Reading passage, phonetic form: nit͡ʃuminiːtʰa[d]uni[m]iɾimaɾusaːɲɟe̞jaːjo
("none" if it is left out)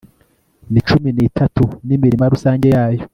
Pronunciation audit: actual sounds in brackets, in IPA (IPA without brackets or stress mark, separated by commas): t, m